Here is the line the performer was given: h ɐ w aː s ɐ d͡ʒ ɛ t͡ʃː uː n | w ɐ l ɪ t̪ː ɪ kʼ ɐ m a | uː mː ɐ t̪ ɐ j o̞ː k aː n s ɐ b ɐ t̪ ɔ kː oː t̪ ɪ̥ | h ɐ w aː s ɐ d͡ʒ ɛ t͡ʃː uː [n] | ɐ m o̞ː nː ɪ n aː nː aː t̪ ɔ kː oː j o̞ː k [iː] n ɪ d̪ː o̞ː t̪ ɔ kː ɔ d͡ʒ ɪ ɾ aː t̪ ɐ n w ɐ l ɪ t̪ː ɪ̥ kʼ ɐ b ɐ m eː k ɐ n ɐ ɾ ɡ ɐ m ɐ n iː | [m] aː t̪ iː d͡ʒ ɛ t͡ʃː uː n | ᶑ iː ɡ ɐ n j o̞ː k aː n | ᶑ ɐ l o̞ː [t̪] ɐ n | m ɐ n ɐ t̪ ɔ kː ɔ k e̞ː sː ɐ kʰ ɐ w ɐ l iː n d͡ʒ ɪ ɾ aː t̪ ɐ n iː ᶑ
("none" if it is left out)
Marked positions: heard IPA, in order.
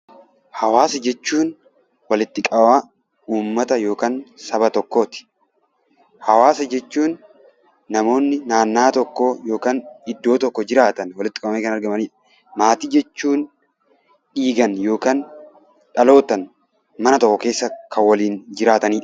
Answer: nː, aː, m, t̪

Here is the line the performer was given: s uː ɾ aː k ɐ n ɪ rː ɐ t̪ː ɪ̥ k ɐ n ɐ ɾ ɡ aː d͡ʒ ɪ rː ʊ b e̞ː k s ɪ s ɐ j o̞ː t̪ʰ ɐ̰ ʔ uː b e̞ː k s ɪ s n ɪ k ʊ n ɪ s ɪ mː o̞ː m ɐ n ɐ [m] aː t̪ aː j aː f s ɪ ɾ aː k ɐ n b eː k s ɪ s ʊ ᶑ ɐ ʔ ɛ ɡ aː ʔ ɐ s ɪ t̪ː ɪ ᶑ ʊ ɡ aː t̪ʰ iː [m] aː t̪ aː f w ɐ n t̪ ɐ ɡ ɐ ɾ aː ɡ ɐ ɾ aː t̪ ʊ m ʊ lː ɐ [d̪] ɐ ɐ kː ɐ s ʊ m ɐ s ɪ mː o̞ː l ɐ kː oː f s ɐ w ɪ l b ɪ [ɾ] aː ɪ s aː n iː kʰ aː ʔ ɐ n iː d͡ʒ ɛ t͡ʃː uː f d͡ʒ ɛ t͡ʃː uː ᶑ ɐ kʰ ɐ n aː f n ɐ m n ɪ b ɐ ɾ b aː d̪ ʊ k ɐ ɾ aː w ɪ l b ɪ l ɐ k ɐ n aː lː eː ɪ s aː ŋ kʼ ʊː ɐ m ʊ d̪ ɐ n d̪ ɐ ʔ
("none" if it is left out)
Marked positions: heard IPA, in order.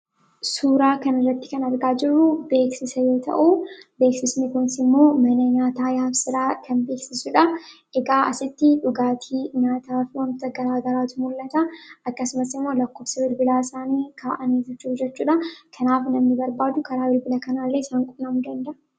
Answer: ɲ, ɲ, t̪, l

